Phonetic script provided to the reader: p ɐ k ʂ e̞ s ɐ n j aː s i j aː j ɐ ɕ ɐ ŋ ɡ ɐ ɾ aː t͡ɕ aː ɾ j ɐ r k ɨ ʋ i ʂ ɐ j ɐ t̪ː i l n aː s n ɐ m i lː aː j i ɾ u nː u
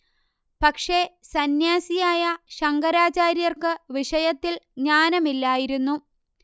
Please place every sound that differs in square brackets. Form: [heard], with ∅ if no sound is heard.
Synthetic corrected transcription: p ɐ k ʂ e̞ s ɐ n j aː s i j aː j ɐ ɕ ɐ ŋ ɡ ɐ ɾ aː t͡ɕ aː ɾ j ɐ r k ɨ ʋ i ʂ ɐ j ɐ t̪ː i l [ɲ] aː [∅] n ɐ m i lː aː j i ɾ u nː u